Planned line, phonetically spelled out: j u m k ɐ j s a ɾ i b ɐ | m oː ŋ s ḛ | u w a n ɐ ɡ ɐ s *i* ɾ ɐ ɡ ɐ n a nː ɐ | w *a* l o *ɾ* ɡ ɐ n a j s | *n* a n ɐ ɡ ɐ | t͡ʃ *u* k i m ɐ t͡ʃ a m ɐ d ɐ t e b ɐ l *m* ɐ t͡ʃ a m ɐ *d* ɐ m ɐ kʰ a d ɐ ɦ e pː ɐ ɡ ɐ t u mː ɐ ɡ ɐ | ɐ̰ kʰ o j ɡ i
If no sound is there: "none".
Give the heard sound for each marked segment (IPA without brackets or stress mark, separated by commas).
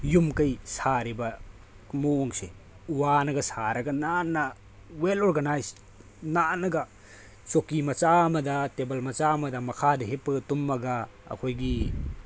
a, e, ɾ, n, o, m, d